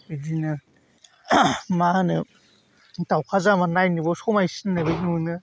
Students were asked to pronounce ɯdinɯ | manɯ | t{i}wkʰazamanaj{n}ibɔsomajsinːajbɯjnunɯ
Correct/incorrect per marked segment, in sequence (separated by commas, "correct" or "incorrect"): incorrect, correct